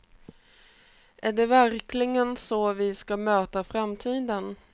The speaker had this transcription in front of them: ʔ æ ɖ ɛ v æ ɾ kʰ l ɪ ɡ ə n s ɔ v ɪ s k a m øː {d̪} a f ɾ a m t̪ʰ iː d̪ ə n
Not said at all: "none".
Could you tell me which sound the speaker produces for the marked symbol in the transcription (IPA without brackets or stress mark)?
t̪